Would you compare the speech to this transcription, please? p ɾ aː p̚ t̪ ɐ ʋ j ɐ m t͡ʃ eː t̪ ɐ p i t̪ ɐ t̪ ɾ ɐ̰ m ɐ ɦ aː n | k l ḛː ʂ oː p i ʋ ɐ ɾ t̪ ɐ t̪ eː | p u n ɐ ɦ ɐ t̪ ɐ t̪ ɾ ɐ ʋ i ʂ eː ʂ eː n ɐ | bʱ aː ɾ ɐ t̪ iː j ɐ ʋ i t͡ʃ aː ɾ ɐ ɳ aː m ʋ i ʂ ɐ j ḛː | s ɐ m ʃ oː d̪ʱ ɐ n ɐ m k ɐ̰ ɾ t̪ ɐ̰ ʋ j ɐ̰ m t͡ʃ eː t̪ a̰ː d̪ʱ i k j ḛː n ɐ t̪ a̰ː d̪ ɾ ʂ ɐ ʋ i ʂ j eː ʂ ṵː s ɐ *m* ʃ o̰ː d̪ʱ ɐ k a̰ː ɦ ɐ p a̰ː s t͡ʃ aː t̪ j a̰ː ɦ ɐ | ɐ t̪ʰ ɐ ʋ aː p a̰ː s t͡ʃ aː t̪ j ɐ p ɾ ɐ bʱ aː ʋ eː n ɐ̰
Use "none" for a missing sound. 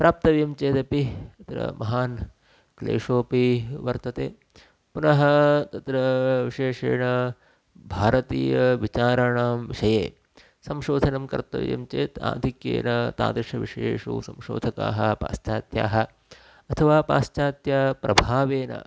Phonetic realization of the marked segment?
m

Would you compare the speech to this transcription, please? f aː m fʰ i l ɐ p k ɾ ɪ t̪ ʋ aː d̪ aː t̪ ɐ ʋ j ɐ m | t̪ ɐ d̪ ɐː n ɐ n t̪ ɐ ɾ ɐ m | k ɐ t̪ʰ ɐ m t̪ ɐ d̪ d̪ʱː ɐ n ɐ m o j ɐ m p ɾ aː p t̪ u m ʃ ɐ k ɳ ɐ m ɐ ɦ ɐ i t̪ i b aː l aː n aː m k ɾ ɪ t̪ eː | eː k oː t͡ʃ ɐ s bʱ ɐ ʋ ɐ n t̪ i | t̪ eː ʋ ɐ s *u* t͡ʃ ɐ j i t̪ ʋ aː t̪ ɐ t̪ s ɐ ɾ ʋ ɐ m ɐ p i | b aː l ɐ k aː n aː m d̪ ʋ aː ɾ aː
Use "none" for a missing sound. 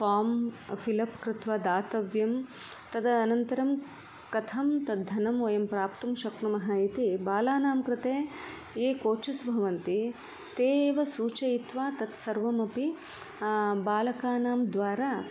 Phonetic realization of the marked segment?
uː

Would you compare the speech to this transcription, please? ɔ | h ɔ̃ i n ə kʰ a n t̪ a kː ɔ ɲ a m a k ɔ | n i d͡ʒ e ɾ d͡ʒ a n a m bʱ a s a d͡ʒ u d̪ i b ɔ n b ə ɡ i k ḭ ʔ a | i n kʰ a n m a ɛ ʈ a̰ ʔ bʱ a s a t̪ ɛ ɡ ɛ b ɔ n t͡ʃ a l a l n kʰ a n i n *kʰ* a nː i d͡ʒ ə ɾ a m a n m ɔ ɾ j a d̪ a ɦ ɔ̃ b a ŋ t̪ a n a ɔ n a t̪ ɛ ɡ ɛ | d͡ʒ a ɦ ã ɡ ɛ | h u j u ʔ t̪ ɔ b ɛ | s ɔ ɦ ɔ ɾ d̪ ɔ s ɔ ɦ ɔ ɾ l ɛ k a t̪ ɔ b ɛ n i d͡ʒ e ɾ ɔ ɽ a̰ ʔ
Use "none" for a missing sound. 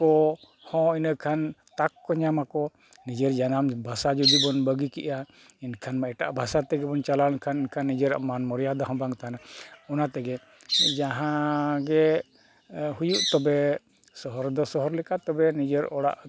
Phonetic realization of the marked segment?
kʰ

